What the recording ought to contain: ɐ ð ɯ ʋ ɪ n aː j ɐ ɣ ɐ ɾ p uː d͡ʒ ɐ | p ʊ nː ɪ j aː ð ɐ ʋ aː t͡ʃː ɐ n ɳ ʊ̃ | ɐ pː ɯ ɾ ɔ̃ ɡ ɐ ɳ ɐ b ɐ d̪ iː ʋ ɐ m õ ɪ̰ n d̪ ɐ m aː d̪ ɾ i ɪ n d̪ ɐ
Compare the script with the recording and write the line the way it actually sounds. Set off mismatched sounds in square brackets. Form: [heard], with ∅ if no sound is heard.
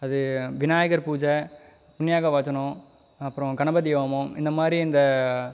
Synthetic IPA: ɐ ð ɯ ʋ ɪ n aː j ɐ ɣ ɐ ɾ p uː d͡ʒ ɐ | p ʊ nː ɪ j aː [ɣ] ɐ ʋ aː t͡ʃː ɐ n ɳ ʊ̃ | ɐ pː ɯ ɾ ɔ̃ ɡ ɐ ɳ ɐ b ɐ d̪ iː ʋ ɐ m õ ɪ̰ n d̪ ɐ m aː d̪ ɾ i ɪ n d̪ ɐ